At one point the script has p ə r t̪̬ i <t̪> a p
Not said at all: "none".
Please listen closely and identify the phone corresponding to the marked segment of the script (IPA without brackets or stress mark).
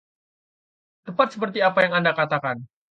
none